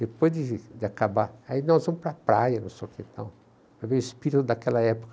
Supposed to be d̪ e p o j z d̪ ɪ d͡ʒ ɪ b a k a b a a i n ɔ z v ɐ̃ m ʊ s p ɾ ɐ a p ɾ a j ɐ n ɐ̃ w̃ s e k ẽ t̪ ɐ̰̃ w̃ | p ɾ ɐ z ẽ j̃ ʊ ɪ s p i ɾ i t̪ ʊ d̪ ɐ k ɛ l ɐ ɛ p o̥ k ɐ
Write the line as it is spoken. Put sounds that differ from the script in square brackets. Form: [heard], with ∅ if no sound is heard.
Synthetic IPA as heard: d̪ e p o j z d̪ ɪ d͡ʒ ɪ [∅] a k a b a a i n ɔ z v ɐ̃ m ʊ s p ɾ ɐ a p ɾ a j ɐ n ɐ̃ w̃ s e k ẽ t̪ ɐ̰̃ w̃ | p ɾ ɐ [v] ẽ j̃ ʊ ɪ s p i ɾ i t̪ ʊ d̪ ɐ k ɛ l ɐ ɛ p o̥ k ɐ